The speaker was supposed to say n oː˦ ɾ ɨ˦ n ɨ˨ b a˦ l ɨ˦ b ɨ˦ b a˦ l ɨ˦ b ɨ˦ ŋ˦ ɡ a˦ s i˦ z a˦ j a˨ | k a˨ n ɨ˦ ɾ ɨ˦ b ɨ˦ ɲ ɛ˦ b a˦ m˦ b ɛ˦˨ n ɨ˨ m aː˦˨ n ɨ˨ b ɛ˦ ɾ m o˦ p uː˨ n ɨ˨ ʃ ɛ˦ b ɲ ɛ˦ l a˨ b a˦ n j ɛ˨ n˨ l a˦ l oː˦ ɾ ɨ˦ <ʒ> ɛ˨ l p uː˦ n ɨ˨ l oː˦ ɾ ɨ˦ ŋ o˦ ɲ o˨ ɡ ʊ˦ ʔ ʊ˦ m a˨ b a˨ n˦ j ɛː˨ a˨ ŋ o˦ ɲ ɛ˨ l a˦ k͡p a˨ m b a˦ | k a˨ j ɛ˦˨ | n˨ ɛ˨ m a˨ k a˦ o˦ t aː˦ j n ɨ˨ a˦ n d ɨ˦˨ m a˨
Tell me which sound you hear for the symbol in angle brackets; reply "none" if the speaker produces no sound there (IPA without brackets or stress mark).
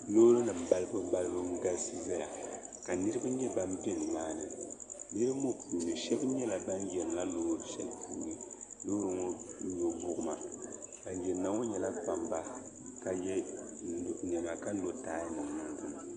ʃ